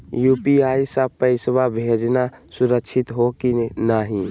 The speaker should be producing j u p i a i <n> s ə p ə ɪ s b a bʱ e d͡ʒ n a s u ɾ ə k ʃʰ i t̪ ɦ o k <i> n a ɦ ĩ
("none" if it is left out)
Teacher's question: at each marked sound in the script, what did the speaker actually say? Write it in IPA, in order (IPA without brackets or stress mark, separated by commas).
none, i